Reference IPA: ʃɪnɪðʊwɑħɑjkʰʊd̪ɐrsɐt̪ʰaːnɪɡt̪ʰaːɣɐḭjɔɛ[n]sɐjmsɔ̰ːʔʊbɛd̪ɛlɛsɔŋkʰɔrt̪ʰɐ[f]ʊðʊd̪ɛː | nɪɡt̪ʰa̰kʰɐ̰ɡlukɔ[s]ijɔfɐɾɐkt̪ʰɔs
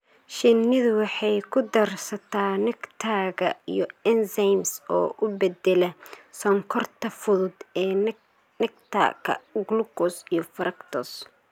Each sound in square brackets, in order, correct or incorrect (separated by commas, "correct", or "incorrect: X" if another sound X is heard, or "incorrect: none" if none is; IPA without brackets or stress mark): correct, correct, correct